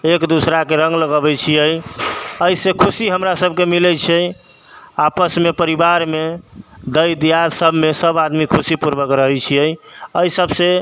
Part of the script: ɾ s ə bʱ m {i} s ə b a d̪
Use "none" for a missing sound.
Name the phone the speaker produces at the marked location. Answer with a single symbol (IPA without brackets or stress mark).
e